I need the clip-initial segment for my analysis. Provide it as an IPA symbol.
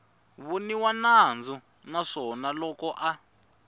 β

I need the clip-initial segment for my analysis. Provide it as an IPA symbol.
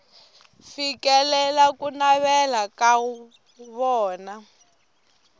f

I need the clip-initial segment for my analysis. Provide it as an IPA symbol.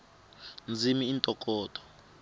n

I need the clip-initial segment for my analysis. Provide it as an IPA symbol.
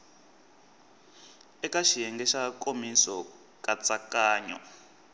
ɛ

